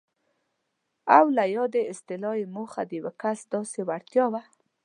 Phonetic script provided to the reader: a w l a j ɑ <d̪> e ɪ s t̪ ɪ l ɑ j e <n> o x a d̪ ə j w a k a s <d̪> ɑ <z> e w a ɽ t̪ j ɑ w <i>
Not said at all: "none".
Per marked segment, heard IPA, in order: d̪, m, d̪, s, a

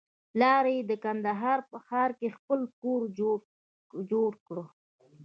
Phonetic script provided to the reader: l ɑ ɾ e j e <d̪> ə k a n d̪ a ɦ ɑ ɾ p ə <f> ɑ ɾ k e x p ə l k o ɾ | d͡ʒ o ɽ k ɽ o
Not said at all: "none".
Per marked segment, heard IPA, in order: d̪, x

